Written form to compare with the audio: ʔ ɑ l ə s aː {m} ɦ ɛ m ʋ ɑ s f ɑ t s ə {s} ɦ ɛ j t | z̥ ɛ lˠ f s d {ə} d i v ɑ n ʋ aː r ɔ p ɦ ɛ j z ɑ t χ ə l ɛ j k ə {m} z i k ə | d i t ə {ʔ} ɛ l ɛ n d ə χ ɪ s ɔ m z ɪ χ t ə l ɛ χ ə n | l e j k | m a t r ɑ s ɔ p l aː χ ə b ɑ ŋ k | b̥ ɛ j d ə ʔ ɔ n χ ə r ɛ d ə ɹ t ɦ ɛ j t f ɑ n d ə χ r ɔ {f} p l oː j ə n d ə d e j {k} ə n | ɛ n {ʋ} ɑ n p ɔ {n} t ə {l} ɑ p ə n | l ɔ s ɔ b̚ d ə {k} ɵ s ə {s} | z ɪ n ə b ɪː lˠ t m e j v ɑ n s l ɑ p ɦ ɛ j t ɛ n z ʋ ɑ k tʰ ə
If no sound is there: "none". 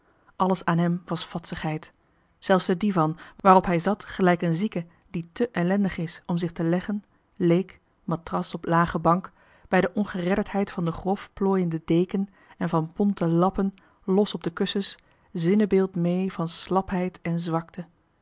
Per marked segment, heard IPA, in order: n, χ, ə, n, ʔ, f, k, v, n, l, k, s

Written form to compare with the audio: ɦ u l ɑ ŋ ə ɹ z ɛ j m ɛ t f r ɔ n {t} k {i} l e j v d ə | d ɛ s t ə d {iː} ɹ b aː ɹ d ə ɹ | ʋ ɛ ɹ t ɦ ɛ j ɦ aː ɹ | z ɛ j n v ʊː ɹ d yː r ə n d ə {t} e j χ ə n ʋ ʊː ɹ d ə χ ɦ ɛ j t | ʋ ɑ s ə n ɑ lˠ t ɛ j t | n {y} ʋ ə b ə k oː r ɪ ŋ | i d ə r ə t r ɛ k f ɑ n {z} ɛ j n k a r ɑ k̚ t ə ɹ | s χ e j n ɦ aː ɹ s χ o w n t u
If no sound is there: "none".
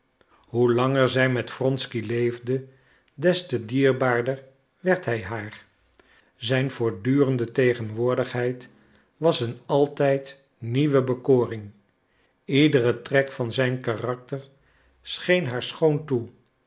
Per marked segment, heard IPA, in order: s, i, iː, t, i, z

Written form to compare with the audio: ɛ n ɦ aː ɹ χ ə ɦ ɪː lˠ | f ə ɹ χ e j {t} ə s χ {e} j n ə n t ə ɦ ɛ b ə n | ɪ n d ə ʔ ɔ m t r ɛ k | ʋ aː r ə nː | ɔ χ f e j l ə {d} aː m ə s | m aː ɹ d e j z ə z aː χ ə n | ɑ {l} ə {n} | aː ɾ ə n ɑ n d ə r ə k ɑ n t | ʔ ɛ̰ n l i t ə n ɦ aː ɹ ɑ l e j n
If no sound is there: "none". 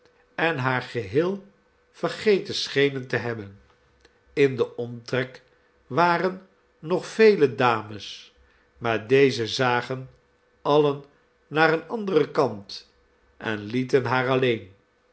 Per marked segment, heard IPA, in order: t, e, d, l, nː

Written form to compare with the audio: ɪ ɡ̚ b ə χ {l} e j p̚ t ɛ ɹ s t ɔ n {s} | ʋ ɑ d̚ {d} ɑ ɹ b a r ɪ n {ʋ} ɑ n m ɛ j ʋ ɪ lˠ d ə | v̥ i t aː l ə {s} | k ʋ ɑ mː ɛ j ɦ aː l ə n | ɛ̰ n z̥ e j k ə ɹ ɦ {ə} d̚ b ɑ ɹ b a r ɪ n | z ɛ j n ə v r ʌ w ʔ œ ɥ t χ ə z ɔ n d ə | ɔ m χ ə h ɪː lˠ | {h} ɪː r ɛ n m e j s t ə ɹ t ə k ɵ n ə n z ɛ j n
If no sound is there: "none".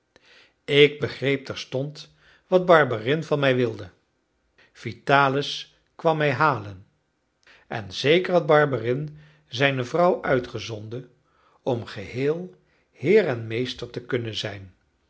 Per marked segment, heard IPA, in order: r, t, b, v, s, ɑ, h

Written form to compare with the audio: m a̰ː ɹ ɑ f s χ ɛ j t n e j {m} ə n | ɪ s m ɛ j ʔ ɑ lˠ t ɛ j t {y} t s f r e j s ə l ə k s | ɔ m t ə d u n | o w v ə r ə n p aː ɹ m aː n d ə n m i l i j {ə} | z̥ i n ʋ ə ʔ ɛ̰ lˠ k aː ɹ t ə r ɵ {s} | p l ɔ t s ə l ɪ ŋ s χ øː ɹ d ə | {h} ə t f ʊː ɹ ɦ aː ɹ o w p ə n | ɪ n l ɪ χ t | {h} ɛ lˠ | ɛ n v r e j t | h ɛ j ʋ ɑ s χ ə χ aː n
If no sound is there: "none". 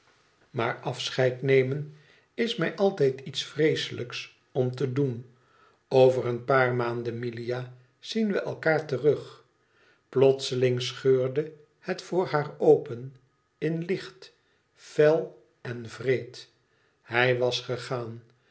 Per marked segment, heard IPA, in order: m, i, a, χ, h, f

